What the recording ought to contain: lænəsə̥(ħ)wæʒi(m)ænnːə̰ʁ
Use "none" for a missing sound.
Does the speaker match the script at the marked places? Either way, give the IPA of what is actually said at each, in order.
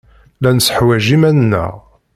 ħ, m

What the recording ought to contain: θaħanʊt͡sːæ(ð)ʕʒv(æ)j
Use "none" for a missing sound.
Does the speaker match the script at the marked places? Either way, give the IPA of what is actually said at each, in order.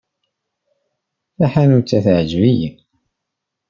θ, i

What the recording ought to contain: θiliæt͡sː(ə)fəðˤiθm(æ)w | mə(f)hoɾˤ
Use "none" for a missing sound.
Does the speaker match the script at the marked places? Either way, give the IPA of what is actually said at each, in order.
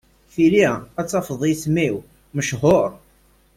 ɑ, i, ʃ

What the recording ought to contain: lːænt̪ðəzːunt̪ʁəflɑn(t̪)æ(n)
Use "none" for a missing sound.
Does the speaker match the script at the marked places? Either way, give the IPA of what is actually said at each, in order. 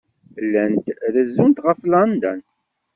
d̪, n

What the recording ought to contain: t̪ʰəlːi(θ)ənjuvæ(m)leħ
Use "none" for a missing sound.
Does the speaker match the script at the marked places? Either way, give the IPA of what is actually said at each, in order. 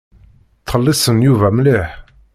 s, m

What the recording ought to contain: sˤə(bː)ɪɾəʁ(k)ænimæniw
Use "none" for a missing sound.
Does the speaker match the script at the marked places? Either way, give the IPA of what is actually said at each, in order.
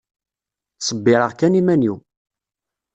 bː, k

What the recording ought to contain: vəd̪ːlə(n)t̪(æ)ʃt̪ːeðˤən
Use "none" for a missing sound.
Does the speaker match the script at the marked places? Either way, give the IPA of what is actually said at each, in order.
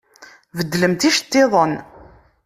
m, i

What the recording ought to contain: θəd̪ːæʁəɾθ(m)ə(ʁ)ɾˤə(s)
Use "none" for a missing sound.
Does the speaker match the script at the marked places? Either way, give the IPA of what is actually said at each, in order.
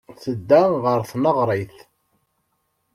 n, ʁ, θ

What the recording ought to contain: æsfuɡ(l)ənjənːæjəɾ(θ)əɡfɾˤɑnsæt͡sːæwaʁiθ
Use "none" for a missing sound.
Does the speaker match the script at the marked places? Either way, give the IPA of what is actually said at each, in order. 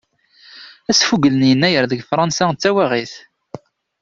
l, ð

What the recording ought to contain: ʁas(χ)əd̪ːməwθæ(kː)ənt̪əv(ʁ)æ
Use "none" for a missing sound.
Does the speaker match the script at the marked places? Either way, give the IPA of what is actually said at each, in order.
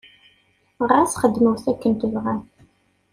χ, kː, ʁ

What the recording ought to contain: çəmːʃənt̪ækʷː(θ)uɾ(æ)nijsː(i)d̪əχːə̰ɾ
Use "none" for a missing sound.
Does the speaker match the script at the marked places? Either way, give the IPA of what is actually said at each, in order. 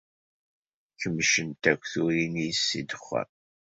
θ, i, i

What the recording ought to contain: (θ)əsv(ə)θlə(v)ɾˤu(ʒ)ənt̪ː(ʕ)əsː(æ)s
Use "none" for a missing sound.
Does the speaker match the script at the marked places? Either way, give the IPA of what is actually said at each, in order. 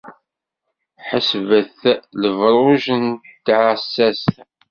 ħ, ə, v, ʒ, ʕ, æ

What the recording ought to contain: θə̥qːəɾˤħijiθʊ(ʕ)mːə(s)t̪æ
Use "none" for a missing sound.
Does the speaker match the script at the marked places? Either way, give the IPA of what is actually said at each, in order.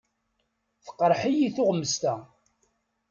ʁ, s

